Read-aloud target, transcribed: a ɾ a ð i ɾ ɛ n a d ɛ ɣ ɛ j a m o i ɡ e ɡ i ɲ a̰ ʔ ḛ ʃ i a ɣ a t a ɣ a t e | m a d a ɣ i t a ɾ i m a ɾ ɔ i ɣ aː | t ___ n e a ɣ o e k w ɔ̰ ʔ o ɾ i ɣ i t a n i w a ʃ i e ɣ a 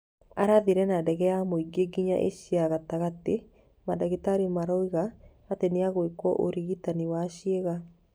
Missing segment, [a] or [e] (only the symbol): e